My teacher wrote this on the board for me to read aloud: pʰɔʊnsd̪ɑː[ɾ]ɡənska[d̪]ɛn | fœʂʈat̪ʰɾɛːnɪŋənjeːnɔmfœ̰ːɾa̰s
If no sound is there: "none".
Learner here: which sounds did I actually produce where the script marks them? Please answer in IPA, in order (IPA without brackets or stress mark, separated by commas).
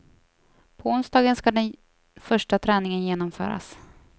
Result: none, d̪